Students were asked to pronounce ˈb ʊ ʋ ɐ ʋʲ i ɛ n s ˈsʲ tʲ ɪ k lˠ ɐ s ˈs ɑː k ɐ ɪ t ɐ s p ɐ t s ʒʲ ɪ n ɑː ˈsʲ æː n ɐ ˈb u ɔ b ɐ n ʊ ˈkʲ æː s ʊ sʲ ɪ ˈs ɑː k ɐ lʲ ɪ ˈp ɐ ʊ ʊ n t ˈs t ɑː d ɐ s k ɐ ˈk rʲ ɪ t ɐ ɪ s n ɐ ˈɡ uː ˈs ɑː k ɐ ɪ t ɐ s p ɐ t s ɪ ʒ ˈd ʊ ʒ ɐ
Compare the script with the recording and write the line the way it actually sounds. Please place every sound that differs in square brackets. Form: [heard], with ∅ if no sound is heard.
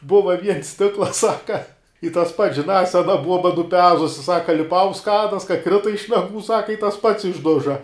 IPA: ˈb ʊ ʋ ɐ ʋʲ i ɛ n s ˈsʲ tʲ ɪ k lˠ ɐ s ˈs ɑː k ɐ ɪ t ɐ s p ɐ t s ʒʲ ɪ n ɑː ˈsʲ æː n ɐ ˈb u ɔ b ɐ n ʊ [ˈpʲ] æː [z] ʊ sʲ ɪ ˈs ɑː k ɐ lʲ ɪ ˈp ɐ ʊ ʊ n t ˈs [k] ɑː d ɐ s k ɐ ˈk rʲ ɪ t ɐ ɪ [ʃ] n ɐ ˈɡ uː ˈs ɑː k ɐ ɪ t ɐ s p ɐ t s ɪ ʒ ˈd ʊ ʒ ɐ

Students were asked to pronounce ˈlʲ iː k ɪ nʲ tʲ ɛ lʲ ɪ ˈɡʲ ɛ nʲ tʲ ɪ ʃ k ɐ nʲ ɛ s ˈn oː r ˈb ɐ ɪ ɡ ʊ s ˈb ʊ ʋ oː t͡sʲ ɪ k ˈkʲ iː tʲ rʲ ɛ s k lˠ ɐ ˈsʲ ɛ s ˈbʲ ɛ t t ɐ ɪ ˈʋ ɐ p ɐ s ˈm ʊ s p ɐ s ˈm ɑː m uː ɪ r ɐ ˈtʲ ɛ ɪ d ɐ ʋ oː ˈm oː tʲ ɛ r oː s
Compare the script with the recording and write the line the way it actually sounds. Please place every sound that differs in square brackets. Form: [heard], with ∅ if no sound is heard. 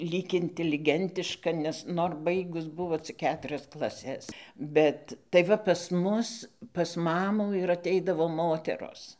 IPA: ˈlʲ iː k ɪ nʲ tʲ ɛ lʲ ɪ ˈɡʲ ɛ nʲ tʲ ɪ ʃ k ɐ nʲ ɛ s ˈn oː r ˈb ɐ ɪ ɡ ʊ s ˈb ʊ ʋ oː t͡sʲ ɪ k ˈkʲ [æː] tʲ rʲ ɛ s k lˠ ɐ ˈsʲ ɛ s ˈbʲ ɛ t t ɐ ɪ ˈʋ ɐ p ɐ s ˈm ʊ s p ɐ s ˈm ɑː m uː ɪ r ɐ ˈtʲ ɛ ɪ d ɐ ʋ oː ˈm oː tʲ ɛ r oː s

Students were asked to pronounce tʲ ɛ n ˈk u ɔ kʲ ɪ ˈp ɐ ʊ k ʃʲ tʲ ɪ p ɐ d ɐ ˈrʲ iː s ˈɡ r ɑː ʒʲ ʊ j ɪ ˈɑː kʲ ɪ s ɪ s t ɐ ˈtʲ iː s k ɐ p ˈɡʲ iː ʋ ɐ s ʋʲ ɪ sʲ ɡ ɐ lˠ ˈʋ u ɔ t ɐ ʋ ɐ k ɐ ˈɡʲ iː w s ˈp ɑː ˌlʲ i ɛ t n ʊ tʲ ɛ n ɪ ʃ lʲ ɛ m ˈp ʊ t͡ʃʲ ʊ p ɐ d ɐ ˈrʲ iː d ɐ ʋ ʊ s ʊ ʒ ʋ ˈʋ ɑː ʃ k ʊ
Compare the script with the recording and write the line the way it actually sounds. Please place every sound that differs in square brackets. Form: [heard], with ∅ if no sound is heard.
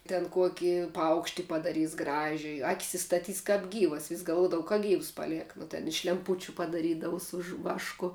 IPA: tʲ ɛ n ˈk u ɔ kʲ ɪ ˈp ɐ ʊ k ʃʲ tʲ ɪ p ɐ d ɐ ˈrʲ iː s ˈɡ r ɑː ʒʲ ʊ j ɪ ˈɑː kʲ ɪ s ɪ s t ɐ ˈtʲ iː s k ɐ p ˈɡʲ iː ʋ ɐ s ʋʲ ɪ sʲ ɡ ɐ lˠ ˈʋ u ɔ [d] ɐ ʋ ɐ k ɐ ˈɡʲ iː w s ˈp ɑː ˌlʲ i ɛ [k] n ʊ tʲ ɛ n ɪ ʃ lʲ ɛ m ˈp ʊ t͡ʃʲ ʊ p ɐ d ɐ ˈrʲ iː d ɐ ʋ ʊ s ʊ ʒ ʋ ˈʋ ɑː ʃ k ʊ

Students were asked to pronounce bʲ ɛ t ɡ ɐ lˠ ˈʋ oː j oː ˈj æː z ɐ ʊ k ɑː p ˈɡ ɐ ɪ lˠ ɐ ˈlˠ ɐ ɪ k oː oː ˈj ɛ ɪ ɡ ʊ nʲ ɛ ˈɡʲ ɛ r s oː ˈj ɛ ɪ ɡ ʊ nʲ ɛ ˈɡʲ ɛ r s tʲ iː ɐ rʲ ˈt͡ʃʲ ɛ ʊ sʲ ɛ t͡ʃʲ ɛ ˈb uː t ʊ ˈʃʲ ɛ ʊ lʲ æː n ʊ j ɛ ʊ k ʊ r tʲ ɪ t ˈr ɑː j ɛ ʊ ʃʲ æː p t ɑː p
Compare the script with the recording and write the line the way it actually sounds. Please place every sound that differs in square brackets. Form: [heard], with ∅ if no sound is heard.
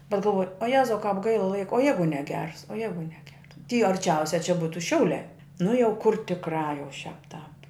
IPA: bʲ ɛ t ɡ ɐ lˠ ˈʋ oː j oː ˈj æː z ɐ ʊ k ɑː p ˈɡ ɐ ɪ lˠ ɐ ˈlˠ ɐ ɪ k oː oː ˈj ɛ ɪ ɡ ʊ nʲ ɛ ˈɡʲ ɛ r s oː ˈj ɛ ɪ ɡ ʊ nʲ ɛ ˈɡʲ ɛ r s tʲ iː ɐ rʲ ˈt͡ʃʲ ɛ ʊ sʲ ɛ t͡ʃʲ ɛ ˈb uː t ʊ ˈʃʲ ɛ ʊ lʲ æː n ʊ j ɛ ʊ k ʊ r tʲ ɪ [k] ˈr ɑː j ɛ ʊ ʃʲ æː p t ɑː p

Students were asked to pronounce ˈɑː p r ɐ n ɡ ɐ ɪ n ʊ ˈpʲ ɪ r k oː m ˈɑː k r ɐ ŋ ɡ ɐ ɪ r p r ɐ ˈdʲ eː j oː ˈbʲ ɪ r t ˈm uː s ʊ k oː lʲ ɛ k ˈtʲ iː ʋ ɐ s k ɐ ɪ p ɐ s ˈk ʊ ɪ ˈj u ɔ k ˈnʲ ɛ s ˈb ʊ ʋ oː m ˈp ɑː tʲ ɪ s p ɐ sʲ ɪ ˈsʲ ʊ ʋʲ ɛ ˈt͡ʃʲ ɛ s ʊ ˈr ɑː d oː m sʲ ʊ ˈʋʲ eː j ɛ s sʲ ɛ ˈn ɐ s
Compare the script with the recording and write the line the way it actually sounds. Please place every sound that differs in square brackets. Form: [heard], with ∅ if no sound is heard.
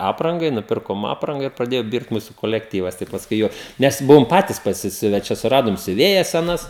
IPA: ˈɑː p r ɐ [ŋ] ɡ ɐ ɪ n ʊ ˈpʲ ɪ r k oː m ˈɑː [p] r ɐ ŋ ɡ ɐ ɪ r p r ɐ ˈdʲ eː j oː ˈbʲ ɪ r t ˈm uː s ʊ k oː lʲ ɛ k ˈtʲ iː ʋ ɐ s [t] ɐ ɪ p ɐ s ˈk ʊ ɪ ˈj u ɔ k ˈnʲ ɛ s ˈb ʊ ʋ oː m ˈp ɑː tʲ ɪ s p ɐ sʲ ɪ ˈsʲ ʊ ʋʲ ɛ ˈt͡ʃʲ ɛ s ʊ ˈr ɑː d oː m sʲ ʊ ˈʋʲ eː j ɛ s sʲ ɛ ˈn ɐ s

